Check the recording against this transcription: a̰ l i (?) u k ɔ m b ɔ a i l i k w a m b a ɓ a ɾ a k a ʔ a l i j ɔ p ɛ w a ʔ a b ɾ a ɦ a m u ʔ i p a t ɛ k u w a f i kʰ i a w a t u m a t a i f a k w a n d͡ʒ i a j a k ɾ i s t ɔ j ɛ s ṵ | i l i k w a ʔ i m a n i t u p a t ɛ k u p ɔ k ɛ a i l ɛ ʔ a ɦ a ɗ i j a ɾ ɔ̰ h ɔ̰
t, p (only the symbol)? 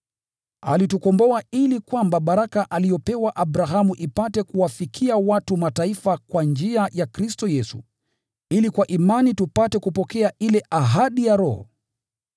t